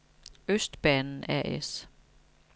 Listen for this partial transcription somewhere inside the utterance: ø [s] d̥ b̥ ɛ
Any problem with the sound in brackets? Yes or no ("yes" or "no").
no